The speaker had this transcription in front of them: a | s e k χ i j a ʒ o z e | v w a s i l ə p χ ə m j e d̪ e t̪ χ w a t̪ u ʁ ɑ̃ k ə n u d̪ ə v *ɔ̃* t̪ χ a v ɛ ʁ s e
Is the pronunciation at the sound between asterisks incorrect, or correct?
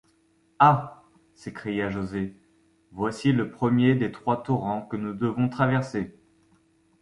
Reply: correct